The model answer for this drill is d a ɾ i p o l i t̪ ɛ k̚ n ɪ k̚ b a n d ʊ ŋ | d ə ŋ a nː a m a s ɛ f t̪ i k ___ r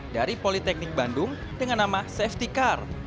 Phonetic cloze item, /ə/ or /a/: a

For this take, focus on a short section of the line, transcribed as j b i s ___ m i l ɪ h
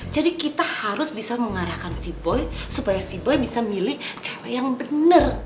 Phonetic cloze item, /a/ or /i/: a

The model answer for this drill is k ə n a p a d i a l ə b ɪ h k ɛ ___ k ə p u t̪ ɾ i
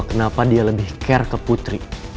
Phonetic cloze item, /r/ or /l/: r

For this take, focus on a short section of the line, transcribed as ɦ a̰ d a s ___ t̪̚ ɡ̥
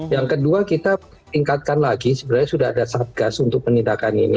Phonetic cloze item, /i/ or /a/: a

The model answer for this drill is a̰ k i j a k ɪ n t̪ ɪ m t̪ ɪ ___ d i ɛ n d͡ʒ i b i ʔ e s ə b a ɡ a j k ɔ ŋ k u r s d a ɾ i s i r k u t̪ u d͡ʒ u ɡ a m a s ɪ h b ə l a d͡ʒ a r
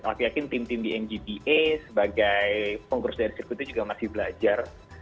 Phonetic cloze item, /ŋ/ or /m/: m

